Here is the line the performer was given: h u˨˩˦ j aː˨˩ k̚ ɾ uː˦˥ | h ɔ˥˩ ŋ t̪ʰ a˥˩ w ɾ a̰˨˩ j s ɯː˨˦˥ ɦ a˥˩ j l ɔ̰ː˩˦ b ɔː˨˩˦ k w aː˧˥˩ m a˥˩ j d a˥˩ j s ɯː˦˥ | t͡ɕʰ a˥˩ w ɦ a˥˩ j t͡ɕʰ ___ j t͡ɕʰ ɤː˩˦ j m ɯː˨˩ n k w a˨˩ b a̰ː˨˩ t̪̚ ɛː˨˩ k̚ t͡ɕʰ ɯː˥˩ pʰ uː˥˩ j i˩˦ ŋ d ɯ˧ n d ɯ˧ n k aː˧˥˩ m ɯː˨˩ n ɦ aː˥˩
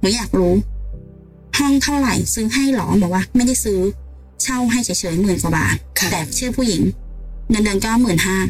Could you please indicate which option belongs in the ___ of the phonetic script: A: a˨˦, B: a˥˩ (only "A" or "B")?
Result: A